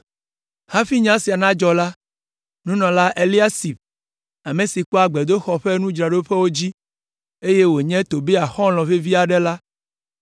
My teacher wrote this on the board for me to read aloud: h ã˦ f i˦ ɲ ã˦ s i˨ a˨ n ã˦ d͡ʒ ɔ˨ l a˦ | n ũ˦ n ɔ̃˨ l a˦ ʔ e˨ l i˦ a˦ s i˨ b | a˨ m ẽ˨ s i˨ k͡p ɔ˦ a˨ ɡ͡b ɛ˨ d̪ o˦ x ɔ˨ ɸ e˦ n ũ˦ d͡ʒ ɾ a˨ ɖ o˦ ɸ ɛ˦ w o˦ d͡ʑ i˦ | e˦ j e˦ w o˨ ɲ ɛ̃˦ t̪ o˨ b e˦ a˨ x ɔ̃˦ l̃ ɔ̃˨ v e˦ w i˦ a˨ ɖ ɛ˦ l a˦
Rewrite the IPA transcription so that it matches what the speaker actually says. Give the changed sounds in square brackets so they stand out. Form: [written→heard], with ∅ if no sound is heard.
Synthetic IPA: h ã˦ f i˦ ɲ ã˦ s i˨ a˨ n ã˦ d͡ʒ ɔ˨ l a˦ | n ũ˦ n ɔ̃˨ l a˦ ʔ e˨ l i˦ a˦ s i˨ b | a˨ m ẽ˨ s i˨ k͡p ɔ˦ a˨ ɡ͡b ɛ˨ d̪ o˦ x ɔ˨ ɸ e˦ n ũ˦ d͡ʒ ɾ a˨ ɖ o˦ ɸ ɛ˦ w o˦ d͡ʑ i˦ | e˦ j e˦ w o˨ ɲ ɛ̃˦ t̪ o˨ b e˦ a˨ x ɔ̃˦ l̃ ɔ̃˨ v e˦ [w→v] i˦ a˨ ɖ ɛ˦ l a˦